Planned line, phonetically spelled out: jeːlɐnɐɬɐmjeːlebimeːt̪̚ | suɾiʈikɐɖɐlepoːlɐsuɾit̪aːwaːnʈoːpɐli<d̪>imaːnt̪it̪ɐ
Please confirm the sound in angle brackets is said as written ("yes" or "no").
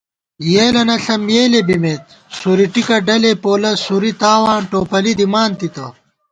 yes